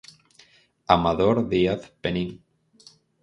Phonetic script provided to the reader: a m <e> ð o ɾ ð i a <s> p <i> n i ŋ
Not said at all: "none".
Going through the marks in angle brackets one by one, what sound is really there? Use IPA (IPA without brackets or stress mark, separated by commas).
a, θ, e